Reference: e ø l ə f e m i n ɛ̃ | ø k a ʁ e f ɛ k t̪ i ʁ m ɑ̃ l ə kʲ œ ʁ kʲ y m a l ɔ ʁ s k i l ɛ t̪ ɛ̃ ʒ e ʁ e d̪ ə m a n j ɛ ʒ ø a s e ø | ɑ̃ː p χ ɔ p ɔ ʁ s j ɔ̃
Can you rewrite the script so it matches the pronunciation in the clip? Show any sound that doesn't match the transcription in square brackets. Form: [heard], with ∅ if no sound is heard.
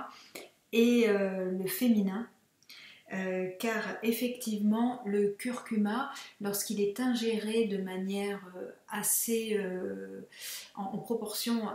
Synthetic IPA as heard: e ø l ə f e m i n ɛ̃ | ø k a ʁ e f ɛ k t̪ i [v] m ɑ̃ l ə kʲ [y] ʁ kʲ y m a l ɔ ʁ s k i l ɛ t̪ ɛ̃ ʒ e ʁ e d̪ ə m a n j ɛ [ʁ] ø a s e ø | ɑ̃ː p χ ɔ p ɔ ʁ s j ɔ̃